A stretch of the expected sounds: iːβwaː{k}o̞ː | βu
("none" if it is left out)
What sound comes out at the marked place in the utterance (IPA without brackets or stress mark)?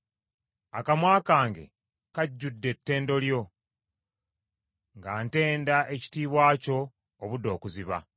c